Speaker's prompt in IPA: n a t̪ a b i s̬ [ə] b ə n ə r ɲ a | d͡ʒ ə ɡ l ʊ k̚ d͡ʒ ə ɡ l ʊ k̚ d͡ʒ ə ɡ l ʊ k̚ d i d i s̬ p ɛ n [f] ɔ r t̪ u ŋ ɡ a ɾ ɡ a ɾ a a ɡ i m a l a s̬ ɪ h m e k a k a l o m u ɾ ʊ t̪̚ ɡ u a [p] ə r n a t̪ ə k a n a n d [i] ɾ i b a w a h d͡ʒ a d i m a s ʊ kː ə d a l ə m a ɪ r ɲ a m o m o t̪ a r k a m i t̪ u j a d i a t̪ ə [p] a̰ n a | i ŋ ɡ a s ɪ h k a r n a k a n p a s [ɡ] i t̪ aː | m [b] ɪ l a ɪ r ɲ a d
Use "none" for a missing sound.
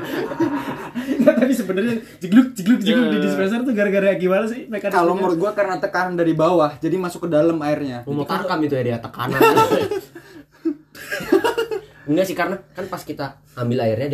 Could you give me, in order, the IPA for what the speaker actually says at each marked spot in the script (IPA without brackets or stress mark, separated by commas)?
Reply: ə, s, k, a, k, k, b